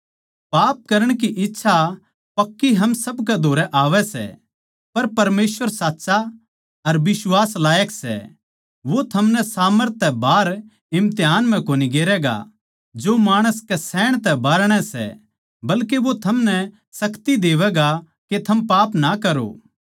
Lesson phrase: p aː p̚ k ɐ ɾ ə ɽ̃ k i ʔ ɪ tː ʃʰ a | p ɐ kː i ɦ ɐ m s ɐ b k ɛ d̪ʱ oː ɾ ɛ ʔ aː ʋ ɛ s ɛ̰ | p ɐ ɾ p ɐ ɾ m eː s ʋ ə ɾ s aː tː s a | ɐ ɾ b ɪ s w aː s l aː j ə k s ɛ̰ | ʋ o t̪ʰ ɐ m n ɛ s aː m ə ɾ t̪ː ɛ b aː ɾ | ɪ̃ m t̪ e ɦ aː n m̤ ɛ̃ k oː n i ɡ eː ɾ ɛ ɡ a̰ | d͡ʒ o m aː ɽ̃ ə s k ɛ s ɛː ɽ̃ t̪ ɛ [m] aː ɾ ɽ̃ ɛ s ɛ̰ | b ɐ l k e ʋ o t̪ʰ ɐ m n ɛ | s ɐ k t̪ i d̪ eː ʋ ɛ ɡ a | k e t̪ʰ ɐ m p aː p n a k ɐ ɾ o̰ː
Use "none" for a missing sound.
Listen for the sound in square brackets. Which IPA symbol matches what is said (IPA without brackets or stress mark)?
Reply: b